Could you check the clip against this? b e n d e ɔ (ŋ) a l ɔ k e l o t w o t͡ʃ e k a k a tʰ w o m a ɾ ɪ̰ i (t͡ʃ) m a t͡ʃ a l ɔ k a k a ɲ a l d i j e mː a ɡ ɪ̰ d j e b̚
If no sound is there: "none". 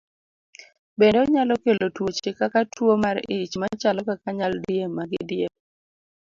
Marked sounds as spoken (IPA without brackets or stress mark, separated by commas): ɲ, t͡ʃ